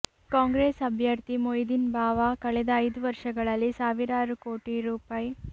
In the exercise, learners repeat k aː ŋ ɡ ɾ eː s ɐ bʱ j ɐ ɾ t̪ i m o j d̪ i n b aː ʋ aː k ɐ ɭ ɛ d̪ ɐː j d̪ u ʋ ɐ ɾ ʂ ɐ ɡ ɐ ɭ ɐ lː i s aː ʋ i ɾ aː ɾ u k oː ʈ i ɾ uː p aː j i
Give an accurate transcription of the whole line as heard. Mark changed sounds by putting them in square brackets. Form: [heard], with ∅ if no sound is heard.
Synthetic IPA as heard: k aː ŋ ɡ ɾ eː s ɐ bʱ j ɐ ɾ t̪ i m o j d̪ i n b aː ʋ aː k ɐ ɭ ɛ d̪ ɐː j d̪ u ʋ ɐ ɾ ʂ ɐ ɡ ɐ ɭ ɐ lː i s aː ʋ i ɾ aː ɾ u k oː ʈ i ɾ uː p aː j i

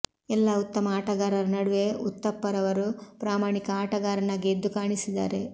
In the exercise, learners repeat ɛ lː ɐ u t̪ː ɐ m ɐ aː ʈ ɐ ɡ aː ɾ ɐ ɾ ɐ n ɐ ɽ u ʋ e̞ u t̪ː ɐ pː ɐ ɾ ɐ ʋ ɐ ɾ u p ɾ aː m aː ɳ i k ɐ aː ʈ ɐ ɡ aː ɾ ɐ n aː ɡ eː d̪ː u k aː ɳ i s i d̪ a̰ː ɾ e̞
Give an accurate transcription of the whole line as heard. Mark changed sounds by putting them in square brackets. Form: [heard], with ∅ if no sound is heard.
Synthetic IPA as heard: ɛ lː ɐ u t̪ː ɐ m ɐ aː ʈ ɐ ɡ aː ɾ ɐ ɾ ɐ n ɐ ɽ u ʋ e̞ u t̪ː ɐ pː ɐ ɾ ɐ ʋ ɐ ɾ u p ɾ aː m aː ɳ i k ɐ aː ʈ ɐ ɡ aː ɾ ɐ n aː ɡ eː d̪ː u k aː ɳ i s i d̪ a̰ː ɾ e̞

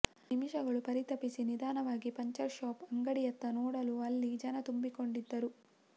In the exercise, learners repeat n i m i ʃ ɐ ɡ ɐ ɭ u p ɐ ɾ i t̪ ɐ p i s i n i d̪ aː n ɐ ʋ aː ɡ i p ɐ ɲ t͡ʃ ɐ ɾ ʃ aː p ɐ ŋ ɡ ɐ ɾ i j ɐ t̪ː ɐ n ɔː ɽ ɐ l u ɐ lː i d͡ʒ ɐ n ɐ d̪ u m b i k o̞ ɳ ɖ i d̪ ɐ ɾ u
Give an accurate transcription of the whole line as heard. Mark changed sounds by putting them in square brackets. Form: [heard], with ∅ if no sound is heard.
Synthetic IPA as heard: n i m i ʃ ɐ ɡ ɐ ɭ u p ɐ ɾ i t̪ ɐ p i s i n i d̪ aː n ɐ ʋ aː ɡ i p ɐ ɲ t͡ʃ ɐ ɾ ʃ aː p ɐ ŋ ɡ ɐ [ɽ] i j ɐ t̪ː ɐ n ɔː ɽ ɐ l u ɐ lː i d͡ʒ ɐ n ɐ [t̪] u m b i k o̞ ɳ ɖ i [d̪ː] ɐ ɾ u

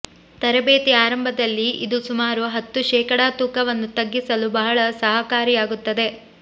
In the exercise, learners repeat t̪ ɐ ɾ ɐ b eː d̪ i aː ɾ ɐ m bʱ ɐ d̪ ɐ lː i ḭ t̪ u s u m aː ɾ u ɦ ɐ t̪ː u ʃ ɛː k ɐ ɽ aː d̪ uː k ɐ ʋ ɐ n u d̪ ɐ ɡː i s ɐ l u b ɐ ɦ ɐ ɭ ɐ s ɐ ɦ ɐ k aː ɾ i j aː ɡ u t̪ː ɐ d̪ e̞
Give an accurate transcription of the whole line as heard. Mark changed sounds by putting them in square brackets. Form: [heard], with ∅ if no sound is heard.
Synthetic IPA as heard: t̪ ɐ ɾ ɐ b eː [t̪] i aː ɾ ɐ m bʱ ɐ d̪ ɐ lː i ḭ [d̪] u s u m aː ɾ u ɦ ɐ t̪ː u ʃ ɛː k ɐ ɽ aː [t̪] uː k ɐ ʋ ɐ [nː] u [t̪] ɐ ɡː i s ɐ l u b ɐ ɦ ɐ ɭ ɐ s ɐ ɦ ɐ k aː ɾ i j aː ɡ u t̪ː ɐ d̪ e̞

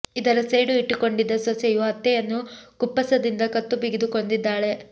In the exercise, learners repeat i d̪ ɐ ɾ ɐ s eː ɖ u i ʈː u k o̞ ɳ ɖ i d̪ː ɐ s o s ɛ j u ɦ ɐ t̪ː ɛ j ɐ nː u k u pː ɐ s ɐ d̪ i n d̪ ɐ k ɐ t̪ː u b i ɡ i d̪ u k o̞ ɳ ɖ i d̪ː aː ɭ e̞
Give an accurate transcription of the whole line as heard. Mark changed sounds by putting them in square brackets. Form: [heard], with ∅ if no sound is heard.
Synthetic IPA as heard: i d̪ ɐ ɾ ɐ s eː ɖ u i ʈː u k o̞ ɳ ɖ i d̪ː ɐ s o s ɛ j u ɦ ɐ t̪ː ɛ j ɐ nː u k u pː ɐ s ɐ d̪ i n d̪ ɐ k ɐ t̪ː u b i ɡ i d̪ u k o̞ ɳ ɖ i d̪ː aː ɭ e̞

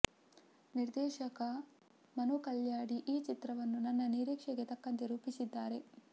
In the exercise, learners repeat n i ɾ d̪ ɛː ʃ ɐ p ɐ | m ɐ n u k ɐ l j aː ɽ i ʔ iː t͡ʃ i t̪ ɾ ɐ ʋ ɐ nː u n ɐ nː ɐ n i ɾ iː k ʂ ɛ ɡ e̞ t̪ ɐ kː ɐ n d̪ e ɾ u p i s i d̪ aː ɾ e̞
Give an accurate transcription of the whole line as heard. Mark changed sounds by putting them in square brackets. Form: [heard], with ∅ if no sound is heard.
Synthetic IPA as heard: n i ɾ d̪ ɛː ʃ ɐ [k] ɐ | m ɐ n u k ɐ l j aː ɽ i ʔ iː t͡ʃ i t̪ ɾ ɐ ʋ ɐ nː u n ɐ nː ɐ n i ɾ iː k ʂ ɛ ɡ e̞ t̪ ɐ kː ɐ n [t̪] e ɾ [uː] p i s i [d̪ː] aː ɾ e̞

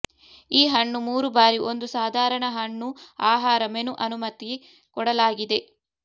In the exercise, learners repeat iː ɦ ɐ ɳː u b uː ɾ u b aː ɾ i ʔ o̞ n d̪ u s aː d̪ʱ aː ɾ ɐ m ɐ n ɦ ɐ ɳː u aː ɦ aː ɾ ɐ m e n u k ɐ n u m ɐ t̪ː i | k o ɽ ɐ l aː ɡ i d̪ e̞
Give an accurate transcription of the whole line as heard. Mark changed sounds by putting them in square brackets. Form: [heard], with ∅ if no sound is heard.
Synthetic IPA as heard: iː ɦ ɐ ɳː u [m] uː ɾ u b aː ɾ i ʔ o̞ n d̪ u s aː d̪ʱ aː ɾ ɐ [ɳ] ɐ [∅] ɦ ɐ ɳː u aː ɦ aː ɾ ɐ m e n u [ʔ] ɐ n u m ɐ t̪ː i | k [ɔ] ɽ ɐ l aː ɡ i d̪ e̞

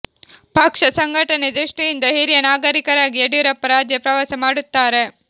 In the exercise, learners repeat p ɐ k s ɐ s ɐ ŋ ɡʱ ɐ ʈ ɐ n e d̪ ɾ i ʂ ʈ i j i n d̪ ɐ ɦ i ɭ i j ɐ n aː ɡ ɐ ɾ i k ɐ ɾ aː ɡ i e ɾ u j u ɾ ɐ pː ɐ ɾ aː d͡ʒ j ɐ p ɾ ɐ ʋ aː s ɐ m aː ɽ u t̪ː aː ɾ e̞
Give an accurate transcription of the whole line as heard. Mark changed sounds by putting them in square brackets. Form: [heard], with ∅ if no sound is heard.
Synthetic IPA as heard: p ɐ k [ʂ] ɐ s ɐ ŋ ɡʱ ɐ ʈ ɐ n e d̪ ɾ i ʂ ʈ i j i n d̪ ɐ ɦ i [ɾ] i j ɐ n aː ɡ ɐ ɾ i k ɐ ɾ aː ɡ i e [ɽ] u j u ɾ ɐ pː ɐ ɾ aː d͡ʒ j ɐ p ɾ ɐ ʋ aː s ɐ m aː ɽ u t̪ː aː ɾ e̞

